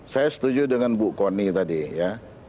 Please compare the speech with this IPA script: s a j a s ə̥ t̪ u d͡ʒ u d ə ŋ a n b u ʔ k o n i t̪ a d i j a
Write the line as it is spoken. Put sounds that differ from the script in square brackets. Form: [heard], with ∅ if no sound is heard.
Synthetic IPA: s a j a s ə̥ t̪ u d͡ʒ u d ə ŋ a n b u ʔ k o n i t̪ a d i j a